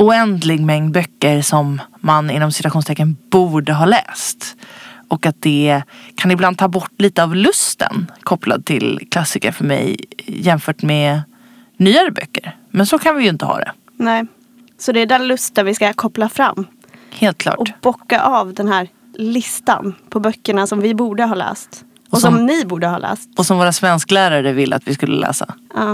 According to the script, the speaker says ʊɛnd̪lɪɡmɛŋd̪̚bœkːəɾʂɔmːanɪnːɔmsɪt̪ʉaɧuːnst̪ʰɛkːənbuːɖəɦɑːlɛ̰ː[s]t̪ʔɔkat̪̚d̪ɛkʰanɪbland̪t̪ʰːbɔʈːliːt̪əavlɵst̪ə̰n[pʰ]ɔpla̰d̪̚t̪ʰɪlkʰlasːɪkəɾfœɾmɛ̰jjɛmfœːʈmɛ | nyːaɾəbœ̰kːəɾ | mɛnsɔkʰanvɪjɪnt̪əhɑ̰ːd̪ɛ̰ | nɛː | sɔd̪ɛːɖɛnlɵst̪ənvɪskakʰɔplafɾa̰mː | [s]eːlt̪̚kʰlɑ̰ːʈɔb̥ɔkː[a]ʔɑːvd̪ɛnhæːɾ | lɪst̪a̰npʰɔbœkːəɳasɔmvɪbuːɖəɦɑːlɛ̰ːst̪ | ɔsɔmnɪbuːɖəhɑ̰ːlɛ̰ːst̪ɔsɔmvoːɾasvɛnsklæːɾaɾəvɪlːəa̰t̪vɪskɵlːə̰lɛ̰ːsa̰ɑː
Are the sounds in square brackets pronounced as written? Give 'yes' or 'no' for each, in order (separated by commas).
yes, no, no, yes